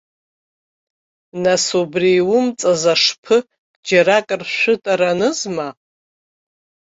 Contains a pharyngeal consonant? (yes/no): no